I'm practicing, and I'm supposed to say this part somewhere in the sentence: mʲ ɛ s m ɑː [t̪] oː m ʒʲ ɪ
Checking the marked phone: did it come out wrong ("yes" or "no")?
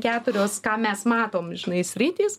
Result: no